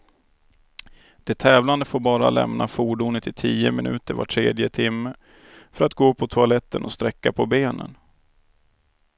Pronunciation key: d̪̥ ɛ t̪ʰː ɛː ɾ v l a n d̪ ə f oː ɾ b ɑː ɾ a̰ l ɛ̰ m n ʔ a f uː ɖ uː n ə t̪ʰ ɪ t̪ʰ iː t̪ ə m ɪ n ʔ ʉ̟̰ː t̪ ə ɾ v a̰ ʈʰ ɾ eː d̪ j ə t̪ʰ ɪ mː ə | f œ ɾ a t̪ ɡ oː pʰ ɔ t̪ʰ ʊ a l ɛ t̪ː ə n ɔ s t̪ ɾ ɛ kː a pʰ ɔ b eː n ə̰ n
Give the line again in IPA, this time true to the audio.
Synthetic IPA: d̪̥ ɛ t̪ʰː ɛː v l a n d̪ ə f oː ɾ b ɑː ɾ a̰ l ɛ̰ m n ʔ a f uː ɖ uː n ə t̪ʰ ɪ t̪ʰ iː ə m ɪ n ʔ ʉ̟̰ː t̪ ə ɾ v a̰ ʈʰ ɾ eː d̪ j ə t̪ʰ ɪ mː ə | f œ ɾ a t̪ ɡ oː pʰ ɔ t̪ʰ ʊ a l ɛ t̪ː ə n ɔ s t̪ ɾ ɛ kː a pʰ ɔ b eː n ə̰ n